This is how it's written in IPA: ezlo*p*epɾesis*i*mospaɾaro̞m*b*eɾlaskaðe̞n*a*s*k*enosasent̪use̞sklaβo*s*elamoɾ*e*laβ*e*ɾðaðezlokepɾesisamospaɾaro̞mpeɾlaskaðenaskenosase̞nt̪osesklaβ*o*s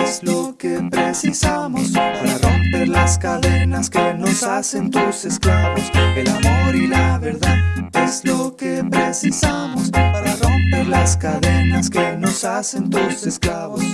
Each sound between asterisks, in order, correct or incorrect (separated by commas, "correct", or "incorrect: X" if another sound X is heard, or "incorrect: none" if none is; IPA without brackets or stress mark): incorrect: k, incorrect: a, incorrect: p, correct, correct, correct, incorrect: i, correct, correct